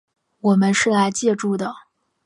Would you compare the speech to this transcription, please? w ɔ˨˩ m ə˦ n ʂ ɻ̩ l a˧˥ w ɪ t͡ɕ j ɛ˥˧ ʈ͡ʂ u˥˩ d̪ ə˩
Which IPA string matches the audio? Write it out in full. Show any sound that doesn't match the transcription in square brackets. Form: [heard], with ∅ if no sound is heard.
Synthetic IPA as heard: w ɔ˨˩ m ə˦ n ʂ ɻ̩ l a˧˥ [∅] ɪ t͡ɕ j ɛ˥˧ ʈ͡ʂ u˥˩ d̪ ə˩